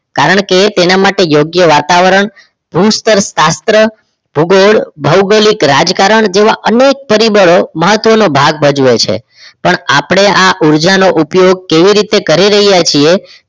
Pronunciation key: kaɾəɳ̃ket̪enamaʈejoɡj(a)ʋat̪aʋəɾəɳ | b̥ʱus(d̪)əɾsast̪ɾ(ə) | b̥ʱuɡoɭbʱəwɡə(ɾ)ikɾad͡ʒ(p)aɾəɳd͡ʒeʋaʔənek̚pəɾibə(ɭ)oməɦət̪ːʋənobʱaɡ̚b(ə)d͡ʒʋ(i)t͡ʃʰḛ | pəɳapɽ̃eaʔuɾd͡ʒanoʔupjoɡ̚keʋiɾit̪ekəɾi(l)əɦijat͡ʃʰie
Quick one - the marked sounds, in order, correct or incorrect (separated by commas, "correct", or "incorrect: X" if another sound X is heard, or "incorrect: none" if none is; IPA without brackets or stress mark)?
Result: incorrect: ə, incorrect: t̪, correct, incorrect: l, incorrect: k, correct, correct, incorrect: e, incorrect: ɾ